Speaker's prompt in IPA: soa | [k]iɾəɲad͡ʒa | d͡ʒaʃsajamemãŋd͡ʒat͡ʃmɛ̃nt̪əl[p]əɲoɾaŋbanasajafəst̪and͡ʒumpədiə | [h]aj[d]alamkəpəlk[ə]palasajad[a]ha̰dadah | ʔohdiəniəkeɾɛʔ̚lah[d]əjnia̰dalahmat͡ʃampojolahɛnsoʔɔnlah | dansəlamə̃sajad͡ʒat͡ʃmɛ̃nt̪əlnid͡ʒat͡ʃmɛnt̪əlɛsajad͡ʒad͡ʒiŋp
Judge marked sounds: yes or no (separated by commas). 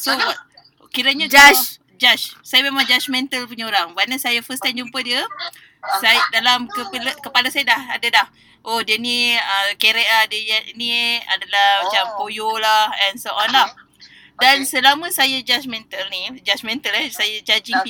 yes, yes, no, yes, yes, yes, yes